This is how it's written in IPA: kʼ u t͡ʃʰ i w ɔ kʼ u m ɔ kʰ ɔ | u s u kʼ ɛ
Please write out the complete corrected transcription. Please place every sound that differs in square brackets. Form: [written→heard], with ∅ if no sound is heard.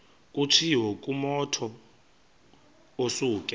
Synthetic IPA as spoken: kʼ u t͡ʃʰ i w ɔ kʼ u m ɔ [kʰ→tʰ] ɔ | [u→o] s [u→uː] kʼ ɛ